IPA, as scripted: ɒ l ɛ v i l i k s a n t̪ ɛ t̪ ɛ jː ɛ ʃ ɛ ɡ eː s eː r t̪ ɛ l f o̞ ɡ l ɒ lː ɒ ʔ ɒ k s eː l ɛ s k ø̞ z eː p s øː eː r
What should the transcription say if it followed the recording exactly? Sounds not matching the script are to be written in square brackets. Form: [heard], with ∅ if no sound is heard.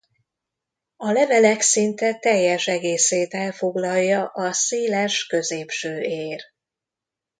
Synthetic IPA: ɒ l ɛ v [ɛ] l [ɛ] k s [i] n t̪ ɛ t̪ ɛ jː ɛ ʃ ɛ ɡ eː s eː [∅] t̪ ɛ l f o̞ ɡ l ɒ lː ɒ ʔ ɒ [∅] s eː l ɛ [ʃ] k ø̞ z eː p [ʃ] øː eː r